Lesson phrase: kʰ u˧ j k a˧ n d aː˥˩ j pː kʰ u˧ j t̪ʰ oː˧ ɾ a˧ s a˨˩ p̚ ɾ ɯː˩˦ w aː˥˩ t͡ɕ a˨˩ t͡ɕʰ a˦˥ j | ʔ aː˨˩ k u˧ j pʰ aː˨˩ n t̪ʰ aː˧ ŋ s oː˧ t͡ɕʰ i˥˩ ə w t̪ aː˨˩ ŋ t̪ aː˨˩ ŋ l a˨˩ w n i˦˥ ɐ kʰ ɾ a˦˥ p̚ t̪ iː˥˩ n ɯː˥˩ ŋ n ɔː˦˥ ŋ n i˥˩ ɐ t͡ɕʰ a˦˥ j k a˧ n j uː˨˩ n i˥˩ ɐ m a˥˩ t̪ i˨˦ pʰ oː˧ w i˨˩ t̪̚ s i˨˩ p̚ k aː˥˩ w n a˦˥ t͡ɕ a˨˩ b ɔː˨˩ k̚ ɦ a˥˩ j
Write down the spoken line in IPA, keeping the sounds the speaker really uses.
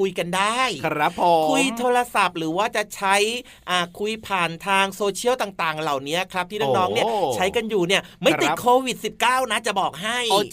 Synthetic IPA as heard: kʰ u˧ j k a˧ n d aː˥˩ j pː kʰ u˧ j t̪ʰ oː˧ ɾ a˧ s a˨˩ p̚ ɾ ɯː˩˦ w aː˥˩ t͡ɕ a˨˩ t͡ɕʰ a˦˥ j | ʔ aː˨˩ kʰ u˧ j pʰ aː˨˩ n t̪ʰ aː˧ ŋ s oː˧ t͡ɕʰ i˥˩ ə w t̪ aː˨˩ ŋ t̪ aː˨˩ ŋ l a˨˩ w n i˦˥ ɐ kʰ ɾ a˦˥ p̚ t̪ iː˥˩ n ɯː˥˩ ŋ n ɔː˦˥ ŋ n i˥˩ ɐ t͡ɕʰ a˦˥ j k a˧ n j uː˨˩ n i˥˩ ɐ m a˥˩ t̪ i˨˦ kʰ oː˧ w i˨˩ t̪̚ s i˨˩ p̚ k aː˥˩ w n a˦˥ t͡ɕ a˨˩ b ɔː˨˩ k̚ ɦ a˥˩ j